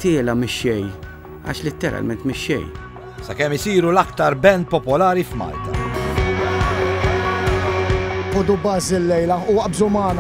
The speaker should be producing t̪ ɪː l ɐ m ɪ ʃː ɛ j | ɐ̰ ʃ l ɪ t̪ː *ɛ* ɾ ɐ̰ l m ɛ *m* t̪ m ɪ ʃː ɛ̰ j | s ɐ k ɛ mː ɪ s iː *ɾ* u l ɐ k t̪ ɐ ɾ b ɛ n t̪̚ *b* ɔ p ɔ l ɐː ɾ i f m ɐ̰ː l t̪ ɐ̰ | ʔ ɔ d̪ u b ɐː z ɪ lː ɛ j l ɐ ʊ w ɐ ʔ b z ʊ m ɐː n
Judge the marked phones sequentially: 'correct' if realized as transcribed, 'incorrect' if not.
correct, incorrect, correct, incorrect

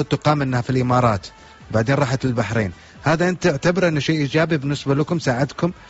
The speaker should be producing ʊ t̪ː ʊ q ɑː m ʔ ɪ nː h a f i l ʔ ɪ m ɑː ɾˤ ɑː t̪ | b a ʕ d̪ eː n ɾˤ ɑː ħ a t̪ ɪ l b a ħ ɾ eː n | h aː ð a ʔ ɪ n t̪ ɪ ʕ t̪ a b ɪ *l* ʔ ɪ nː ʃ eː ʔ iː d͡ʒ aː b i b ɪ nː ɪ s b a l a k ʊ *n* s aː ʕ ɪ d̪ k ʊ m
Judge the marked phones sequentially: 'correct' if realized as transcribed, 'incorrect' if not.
incorrect, incorrect

